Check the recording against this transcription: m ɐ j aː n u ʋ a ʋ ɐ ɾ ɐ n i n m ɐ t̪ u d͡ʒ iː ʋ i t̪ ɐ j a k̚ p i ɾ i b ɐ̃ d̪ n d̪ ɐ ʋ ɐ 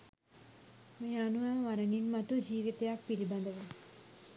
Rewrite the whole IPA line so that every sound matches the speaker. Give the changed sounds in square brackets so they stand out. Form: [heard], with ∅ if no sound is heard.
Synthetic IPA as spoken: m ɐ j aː n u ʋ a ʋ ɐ ɾ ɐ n i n m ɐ t̪ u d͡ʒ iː ʋ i t̪ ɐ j a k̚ p i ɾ i b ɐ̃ [∅] n d̪ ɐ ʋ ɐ